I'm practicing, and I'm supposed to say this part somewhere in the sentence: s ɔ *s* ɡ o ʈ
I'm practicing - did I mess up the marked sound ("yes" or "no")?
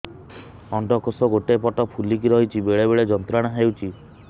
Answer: yes